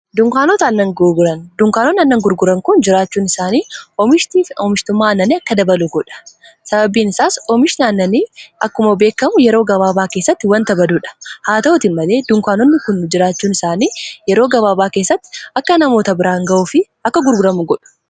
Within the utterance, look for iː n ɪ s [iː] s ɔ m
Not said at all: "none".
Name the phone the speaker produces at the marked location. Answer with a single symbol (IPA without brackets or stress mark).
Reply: aː